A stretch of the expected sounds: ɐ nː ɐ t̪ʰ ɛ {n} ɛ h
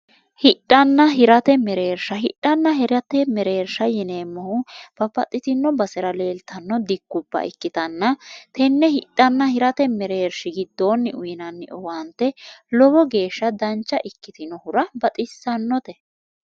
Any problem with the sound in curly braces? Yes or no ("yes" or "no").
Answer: yes